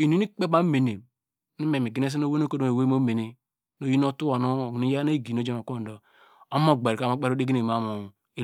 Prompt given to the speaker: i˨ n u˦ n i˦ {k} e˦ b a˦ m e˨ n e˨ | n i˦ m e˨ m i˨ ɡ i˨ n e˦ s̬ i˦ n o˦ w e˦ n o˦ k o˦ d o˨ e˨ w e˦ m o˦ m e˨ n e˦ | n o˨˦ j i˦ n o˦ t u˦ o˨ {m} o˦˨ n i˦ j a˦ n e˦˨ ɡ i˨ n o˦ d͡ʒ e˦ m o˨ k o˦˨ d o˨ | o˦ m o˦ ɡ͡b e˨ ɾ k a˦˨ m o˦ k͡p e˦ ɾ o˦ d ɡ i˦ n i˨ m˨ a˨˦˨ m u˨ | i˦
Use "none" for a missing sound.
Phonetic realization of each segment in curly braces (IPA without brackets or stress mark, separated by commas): k͡p, n